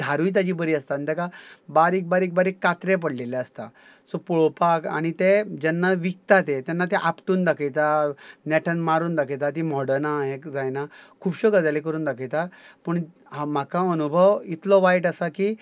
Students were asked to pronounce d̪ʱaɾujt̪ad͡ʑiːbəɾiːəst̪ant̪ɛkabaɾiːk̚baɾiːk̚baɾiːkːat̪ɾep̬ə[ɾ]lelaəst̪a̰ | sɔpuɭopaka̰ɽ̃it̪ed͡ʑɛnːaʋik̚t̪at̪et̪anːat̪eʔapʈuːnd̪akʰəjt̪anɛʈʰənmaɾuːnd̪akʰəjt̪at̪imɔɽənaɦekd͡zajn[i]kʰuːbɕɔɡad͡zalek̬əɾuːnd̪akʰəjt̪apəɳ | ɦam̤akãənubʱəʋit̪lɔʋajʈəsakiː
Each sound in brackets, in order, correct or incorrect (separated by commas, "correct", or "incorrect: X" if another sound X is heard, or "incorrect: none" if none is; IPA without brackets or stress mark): incorrect: ɽ, incorrect: a